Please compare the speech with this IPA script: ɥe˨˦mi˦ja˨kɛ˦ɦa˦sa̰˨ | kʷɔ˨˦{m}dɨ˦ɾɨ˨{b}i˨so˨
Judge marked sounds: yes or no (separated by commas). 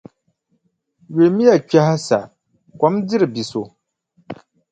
yes, yes